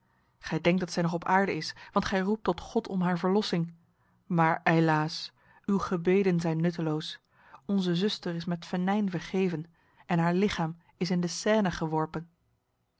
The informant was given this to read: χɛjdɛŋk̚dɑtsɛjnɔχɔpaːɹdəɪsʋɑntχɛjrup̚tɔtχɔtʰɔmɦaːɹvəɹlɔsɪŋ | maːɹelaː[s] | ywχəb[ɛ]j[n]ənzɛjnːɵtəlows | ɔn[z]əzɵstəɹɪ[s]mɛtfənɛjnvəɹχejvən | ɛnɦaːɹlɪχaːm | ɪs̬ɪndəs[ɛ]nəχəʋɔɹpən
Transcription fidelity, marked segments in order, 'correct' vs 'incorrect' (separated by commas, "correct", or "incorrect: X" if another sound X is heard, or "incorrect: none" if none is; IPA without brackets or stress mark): correct, incorrect: e, incorrect: d, correct, correct, incorrect: ɛː